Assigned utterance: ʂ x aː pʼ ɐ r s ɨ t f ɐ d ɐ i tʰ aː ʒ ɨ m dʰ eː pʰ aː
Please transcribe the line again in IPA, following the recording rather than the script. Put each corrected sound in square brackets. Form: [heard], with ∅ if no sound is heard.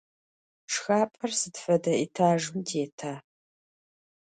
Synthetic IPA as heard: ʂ x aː pʼ ɐ r s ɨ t f ɐ d ɐ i tʰ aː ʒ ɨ m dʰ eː [tʰ] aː

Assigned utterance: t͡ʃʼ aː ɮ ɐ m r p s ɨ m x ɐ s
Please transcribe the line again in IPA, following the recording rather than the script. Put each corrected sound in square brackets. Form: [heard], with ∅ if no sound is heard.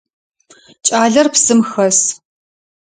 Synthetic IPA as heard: t͡ʃʼ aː ɮ ɐ [∅] r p s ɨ m x ɐ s

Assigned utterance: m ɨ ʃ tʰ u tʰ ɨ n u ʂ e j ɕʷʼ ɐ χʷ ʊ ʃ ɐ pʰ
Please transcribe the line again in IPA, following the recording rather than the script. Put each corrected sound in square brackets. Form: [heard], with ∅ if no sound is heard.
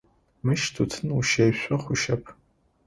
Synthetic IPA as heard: m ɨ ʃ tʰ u tʰ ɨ n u [ʃ] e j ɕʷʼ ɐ χʷ ʊ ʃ ɐ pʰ

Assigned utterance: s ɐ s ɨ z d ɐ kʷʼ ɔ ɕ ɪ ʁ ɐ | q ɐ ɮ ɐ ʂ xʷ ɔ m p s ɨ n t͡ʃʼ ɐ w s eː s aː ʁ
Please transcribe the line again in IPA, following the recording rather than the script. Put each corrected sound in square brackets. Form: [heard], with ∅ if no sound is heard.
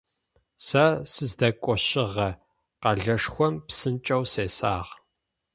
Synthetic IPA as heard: s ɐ s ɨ z d ɐ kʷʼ ɔ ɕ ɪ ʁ ɐ | q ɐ ɮ ɐ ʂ xʷ ɔ m p s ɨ n t͡ʃʼ ɐ w s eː s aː ʁ

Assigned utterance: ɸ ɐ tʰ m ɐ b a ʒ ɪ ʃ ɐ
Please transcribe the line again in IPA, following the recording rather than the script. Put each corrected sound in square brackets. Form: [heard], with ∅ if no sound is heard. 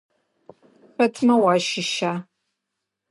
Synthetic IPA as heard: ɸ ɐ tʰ m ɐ [w] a [ʃ] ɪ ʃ [a]

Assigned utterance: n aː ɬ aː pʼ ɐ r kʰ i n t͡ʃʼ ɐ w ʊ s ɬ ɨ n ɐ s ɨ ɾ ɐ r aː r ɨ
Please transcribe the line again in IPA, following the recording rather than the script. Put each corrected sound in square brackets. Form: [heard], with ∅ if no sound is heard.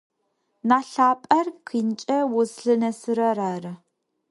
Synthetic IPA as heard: n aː ɬ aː pʼ ɐ r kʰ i n t͡ʃʼ ɐ w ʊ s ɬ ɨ n ɐ s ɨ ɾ ɐ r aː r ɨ

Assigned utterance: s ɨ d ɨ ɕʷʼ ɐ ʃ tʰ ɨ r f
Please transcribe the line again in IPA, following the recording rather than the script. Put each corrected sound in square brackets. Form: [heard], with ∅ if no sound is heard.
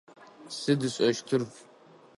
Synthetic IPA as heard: s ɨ d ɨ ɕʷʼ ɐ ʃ tʰ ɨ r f

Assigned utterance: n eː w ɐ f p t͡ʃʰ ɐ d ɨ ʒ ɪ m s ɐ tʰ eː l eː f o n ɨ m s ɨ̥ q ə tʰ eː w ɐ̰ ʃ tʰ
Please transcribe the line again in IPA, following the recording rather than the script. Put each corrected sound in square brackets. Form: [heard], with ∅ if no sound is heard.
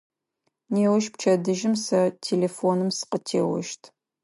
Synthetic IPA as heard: n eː w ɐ [ʃ] p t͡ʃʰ ɐ d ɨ ʒ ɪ m s ɐ tʰ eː l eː f o n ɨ m s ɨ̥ q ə tʰ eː w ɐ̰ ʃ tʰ

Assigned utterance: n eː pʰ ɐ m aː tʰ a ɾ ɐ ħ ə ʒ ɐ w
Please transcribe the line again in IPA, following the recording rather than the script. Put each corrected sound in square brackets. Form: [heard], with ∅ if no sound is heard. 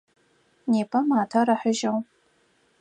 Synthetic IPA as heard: n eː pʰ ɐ m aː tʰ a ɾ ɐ ħ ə ʒ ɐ w

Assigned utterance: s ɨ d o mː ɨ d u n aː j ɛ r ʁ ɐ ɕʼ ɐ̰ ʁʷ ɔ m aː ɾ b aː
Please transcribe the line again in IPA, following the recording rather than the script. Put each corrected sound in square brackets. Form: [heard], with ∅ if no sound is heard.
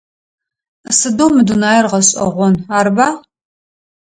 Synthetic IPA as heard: s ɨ d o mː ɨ d u n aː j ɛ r ʁ ɐ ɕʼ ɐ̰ ʁʷ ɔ [n] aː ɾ b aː

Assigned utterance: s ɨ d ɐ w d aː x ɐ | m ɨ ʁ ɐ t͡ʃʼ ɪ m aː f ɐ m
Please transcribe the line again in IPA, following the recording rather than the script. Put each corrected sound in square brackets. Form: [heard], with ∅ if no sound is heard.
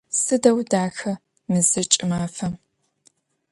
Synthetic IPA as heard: s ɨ d ɐ w d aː x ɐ | m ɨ [z] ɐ t͡ʃʼ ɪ m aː f ɐ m

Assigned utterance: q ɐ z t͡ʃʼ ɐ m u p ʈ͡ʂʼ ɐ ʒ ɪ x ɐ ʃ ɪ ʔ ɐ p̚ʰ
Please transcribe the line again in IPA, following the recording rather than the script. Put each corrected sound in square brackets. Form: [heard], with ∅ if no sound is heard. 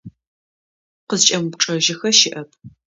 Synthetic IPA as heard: q [ə] z t͡ʃʼ ɐ m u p ʈ͡ʂʼ ɐ ʒ ɪ x ɐ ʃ ɪ ʔ ɐ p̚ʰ

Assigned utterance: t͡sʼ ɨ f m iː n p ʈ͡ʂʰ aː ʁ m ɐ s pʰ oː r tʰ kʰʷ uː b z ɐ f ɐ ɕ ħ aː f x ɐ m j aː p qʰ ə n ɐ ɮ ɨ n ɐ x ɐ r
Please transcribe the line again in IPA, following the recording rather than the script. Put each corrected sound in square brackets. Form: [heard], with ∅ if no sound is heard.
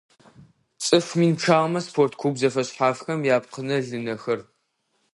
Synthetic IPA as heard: t͡sʼ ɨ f m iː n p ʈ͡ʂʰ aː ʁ m ɐ s pʰ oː r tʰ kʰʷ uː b z ɐ f ɐ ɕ ħ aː f x ɐ m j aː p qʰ ə n ɐ ɮ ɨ n ɐ x ɐ r

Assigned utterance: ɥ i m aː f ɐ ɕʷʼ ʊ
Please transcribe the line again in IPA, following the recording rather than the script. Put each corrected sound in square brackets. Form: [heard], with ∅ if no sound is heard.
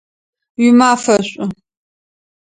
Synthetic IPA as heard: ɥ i m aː f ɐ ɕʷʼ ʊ

